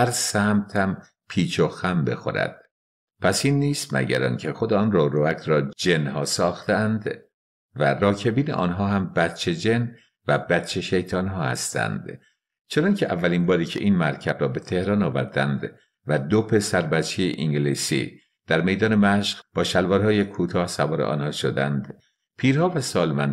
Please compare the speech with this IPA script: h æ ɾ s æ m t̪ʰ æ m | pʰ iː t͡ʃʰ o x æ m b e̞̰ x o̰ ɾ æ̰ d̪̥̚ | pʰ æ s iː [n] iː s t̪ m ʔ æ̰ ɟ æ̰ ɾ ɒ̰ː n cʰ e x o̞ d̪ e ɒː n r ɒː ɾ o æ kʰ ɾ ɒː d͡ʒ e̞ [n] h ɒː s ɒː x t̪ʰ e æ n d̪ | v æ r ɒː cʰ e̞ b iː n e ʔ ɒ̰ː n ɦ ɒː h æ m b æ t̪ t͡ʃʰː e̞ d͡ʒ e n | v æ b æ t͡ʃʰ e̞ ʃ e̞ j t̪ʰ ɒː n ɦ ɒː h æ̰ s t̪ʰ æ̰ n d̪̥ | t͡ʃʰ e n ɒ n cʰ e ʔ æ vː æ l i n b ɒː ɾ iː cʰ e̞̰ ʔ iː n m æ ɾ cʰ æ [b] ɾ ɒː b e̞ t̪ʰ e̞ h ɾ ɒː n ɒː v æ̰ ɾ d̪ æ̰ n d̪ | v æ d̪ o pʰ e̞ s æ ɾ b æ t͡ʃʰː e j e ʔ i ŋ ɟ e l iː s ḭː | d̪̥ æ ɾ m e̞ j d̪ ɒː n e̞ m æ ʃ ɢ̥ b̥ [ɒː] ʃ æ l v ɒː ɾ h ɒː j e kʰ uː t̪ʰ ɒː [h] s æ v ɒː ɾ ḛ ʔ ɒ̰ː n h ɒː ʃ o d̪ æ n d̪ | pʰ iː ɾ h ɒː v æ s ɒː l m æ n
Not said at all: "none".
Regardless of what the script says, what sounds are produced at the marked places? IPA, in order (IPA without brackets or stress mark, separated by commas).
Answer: nː, n, b, ɒː, h